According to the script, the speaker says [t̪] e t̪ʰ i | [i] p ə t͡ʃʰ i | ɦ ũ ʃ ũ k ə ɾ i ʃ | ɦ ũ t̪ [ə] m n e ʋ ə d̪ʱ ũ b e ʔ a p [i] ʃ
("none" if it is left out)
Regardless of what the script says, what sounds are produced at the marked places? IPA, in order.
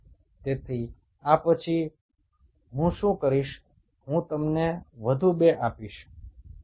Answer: t̪, a, ə, i

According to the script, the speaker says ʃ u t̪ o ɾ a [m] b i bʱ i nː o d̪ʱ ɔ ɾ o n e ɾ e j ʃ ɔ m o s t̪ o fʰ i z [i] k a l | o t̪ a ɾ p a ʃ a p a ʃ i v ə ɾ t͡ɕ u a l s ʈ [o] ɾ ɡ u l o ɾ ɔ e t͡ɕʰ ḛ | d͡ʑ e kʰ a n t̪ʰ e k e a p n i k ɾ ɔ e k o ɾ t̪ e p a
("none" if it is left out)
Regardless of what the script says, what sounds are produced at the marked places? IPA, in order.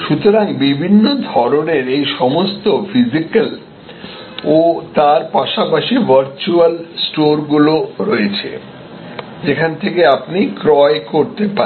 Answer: ŋ, i, o

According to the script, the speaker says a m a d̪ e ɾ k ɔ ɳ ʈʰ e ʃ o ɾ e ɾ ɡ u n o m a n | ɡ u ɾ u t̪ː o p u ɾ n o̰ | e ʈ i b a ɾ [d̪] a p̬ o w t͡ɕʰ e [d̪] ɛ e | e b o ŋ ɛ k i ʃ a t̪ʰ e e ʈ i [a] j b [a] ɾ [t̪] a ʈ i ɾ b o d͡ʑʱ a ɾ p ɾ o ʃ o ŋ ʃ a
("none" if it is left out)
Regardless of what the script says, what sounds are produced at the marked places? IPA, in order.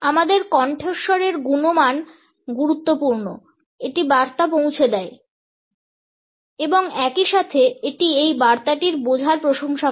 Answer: t̪, d̪, e, a, t̪

